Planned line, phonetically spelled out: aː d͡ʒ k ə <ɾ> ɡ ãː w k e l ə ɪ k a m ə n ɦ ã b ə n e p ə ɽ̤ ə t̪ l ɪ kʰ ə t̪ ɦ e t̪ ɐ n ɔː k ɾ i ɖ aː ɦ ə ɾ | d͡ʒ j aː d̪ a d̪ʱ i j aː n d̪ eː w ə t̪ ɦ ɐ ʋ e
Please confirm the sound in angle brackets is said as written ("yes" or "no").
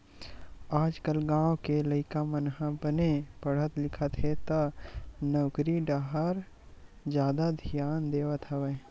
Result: no